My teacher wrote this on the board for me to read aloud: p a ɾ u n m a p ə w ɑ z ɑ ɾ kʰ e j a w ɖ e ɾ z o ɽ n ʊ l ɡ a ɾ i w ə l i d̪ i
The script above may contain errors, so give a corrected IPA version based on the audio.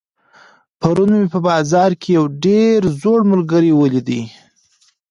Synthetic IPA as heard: p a ɾ u n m e p ə b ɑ z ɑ ɾ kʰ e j a w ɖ e ɾ z o ɽ m ʊ l ɡ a ɾ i w ə l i d̪ i